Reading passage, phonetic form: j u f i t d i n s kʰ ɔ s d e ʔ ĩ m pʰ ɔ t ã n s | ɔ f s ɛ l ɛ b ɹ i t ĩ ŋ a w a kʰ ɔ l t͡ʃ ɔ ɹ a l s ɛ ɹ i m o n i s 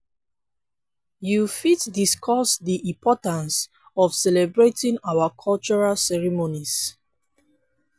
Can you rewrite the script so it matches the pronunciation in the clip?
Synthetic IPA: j u f i t d i s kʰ ɔ s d i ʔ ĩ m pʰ ɔ t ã n s | ɔ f s ɛ l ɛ b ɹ e t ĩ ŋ a w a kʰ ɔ l t͡ʃ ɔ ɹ a l s ɛ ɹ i m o n i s